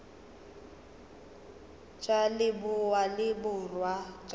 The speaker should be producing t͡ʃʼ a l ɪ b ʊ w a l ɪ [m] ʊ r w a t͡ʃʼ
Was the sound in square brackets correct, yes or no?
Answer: no